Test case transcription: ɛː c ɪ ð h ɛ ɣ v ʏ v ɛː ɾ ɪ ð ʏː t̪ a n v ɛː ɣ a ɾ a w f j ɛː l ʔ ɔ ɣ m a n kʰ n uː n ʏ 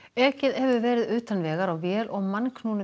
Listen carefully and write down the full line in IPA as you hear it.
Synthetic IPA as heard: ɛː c ɪ ð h ɛ v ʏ v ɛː ɾ ɪ ð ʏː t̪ a n v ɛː ɣ a ɾ a w v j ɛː l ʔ ɔ ɣ m a n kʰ n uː n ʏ